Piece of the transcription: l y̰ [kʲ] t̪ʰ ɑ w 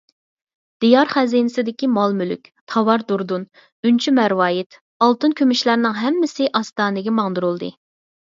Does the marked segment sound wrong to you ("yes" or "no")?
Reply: no